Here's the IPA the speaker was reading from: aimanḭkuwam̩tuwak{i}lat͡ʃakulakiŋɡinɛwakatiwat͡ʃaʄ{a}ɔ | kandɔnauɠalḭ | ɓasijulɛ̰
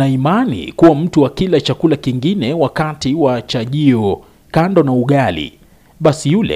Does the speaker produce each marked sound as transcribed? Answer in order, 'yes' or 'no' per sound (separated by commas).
yes, no